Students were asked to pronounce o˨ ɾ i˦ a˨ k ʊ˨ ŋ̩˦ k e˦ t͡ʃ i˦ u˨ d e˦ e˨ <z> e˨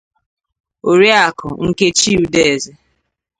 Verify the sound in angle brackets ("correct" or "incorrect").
correct